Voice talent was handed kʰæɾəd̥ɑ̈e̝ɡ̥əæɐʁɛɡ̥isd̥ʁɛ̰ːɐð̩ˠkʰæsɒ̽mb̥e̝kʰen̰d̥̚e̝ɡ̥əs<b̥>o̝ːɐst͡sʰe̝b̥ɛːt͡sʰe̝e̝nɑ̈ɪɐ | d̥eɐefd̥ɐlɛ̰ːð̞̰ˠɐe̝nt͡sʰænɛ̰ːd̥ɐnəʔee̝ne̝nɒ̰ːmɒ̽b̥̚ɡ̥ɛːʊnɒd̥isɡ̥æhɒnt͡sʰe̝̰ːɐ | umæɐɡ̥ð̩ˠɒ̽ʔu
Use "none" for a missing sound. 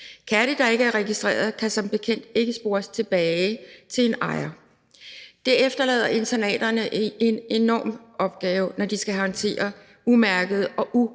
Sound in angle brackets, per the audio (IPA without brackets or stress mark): b̥